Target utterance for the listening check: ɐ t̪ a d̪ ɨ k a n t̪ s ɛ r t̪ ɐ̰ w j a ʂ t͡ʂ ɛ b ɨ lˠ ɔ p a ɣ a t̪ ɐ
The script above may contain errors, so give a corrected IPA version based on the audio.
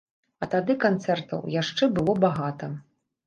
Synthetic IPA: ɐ t̪ a d̪ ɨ k a n t̪ s ɛ r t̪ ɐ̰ w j a ʂ t͡ʂ ɛ b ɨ lˠ ɔ b a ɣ a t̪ ɐ